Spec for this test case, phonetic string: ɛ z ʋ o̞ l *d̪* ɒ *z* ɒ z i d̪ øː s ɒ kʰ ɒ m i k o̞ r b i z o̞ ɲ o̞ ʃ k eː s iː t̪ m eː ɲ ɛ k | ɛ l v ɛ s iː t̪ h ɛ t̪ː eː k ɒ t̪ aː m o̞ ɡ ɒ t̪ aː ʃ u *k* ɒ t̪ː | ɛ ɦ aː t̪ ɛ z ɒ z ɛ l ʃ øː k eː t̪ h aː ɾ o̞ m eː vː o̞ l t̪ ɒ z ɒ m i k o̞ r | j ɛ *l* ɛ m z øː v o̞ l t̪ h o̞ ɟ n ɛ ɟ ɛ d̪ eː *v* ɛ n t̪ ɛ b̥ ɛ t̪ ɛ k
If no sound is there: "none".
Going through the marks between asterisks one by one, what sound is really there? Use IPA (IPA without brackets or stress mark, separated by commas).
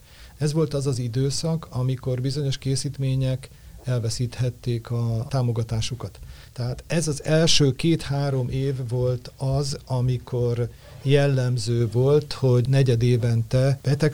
t̪, z, k, lː, v